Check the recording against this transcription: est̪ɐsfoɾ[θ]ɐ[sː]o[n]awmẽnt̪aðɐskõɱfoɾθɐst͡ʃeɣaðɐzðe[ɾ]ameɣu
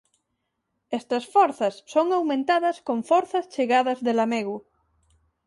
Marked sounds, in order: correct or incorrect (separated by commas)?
correct, correct, incorrect, incorrect